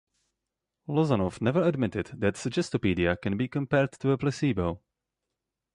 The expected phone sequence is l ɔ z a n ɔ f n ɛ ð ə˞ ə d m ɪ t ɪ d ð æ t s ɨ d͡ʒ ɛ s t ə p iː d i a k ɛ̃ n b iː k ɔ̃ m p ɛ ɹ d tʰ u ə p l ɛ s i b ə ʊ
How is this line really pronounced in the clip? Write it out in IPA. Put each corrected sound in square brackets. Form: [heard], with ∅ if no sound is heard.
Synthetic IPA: l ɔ z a n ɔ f n ɛ [v] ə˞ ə d m ɪ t ɪ d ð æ t s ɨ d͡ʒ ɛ s t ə p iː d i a k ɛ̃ n b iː k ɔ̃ m p ɛ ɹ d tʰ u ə p l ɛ s i b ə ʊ